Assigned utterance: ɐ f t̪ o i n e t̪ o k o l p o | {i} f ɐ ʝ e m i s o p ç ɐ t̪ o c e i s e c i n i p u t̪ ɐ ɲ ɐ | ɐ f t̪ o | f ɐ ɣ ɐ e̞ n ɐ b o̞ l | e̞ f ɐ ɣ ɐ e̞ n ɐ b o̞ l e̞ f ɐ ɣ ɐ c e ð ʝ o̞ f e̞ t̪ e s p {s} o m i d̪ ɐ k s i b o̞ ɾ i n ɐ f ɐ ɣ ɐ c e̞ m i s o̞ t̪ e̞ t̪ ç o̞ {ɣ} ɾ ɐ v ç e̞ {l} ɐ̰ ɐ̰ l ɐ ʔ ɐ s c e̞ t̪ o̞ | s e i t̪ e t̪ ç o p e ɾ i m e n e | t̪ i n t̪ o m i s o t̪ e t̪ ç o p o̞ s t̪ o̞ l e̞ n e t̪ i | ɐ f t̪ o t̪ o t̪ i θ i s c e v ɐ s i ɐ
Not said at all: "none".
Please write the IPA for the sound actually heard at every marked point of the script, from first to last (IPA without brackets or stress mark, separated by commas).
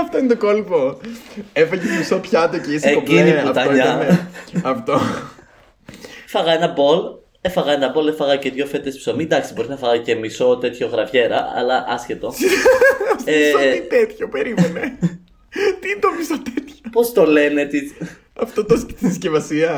e, s, ɣ, ɾ